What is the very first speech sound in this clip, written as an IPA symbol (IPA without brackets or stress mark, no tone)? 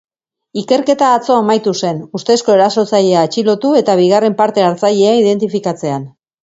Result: i